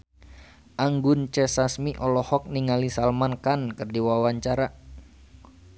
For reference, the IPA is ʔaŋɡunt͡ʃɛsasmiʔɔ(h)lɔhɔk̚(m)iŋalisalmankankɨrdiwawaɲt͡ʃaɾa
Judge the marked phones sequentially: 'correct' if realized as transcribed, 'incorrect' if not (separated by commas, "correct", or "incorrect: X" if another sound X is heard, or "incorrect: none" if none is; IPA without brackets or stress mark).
incorrect: none, incorrect: n